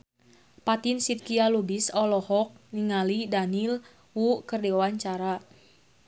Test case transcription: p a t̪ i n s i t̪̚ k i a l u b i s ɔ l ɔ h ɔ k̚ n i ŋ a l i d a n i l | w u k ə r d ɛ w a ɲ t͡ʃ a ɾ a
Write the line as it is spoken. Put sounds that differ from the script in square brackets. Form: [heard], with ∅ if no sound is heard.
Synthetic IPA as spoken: p a t̪ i n s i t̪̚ k i a l u b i s ɔ l ɔ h ɔ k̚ n i ŋ a l i d a n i l | w u k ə r d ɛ w a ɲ t͡ʃ a ɾ a